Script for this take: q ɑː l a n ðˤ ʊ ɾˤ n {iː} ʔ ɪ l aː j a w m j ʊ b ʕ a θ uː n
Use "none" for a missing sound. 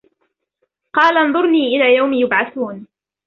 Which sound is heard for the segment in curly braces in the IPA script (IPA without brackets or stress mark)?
iː